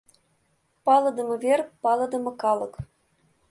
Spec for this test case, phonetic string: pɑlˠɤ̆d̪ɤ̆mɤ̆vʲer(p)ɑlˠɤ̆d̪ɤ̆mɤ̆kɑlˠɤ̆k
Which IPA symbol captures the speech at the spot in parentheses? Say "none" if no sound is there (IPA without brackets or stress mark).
p